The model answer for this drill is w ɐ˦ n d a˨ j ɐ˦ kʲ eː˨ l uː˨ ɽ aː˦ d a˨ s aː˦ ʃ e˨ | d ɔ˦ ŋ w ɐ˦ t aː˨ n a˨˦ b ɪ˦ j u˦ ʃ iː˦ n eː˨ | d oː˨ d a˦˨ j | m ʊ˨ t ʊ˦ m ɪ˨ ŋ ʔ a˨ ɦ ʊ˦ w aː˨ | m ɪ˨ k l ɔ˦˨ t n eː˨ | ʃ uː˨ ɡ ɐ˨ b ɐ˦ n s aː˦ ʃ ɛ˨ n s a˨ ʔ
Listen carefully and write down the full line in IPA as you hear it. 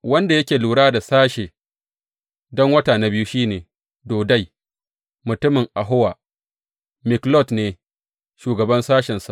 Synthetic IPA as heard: w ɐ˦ n d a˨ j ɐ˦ kʲ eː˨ l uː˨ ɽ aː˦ d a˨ s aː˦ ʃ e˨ | d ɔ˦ ŋ w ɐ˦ t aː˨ n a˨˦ b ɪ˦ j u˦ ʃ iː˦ n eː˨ | d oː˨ d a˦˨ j | m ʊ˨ t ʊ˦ m ɪ˨ ŋ ʔ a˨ ɦ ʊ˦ w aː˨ | m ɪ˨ k l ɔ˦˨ t n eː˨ | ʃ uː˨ ɡ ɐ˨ b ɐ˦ n s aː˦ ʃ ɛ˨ n s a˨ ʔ